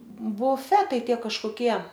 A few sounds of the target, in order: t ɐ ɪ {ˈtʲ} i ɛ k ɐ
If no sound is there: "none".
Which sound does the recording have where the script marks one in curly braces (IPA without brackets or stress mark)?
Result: tʲ